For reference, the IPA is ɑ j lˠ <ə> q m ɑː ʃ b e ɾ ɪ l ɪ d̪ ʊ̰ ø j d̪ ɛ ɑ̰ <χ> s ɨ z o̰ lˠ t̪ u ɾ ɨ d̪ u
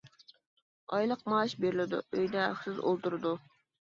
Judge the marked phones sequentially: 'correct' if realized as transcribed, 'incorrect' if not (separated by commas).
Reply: correct, correct